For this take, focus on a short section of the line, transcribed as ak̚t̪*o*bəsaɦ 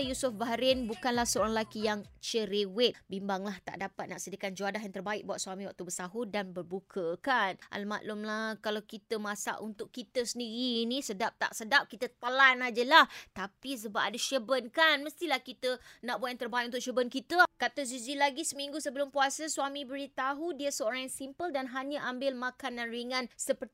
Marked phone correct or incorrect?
incorrect